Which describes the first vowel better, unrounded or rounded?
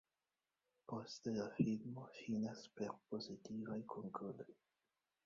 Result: rounded